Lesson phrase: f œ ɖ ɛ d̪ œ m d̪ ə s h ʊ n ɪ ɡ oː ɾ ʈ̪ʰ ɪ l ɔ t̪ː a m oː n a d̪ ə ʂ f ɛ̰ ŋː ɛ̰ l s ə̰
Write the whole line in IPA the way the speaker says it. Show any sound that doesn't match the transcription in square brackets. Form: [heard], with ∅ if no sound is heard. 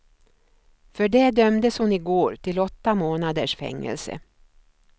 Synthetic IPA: f œ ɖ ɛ d̪ œ m d̪ ə s h ʊ n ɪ ɡ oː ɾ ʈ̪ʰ ɪ l ɔ t̪ː a m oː n a d̪ ə ʂ f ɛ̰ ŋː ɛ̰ l s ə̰